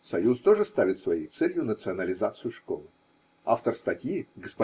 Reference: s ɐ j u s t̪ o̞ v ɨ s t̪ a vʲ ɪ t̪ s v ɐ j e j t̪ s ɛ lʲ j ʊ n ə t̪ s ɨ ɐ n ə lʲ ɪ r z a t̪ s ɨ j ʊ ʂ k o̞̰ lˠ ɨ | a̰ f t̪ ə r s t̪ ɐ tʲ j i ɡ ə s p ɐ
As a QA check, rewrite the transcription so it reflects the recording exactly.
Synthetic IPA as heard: s ɐ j u s t̪ o̞ ʐ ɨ s t̪ a vʲ ɪ t̪ s v ɐ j e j t̪ s ɛ lʲ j ʊ n ə t̪ s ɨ ɐ n ə lʲ ɪ z a t̪ s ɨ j ʊ ʂ k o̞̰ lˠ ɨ | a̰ f t̪ ə r s t̪ ɐ tʲ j i ɡ ə s p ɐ